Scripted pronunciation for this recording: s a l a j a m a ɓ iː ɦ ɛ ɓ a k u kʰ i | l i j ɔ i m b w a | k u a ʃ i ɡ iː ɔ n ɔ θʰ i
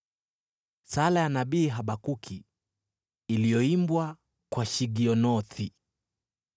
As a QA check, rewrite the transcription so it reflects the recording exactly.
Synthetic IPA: s a l a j a n a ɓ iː ɦ a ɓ a k u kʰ i | l i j ɔ i m b w a | k w a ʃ i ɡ i ɔ n ɔ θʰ i